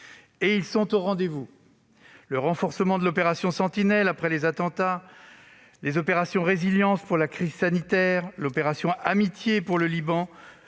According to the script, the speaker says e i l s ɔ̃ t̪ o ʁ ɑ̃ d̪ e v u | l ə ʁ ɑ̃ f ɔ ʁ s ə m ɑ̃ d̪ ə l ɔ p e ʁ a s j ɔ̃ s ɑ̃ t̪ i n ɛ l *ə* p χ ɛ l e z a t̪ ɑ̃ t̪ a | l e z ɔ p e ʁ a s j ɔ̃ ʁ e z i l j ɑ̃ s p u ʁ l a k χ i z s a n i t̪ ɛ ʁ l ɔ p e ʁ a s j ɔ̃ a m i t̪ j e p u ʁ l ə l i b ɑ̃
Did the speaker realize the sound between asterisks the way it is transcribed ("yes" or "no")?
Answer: no